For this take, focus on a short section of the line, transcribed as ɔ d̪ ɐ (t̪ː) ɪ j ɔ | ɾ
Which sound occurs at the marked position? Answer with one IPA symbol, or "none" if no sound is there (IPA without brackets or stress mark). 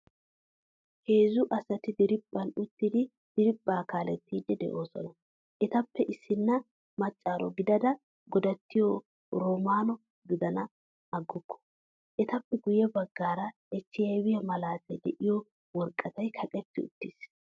t̪ː